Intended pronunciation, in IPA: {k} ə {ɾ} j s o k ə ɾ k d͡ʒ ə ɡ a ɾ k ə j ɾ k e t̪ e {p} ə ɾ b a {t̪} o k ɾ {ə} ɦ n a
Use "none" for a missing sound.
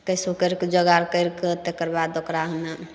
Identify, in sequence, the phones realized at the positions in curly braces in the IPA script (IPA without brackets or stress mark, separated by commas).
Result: k, none, k, d̪, a